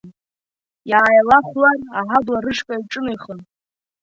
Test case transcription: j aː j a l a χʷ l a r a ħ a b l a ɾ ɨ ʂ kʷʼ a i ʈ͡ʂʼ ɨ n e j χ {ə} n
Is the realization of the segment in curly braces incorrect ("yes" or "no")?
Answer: no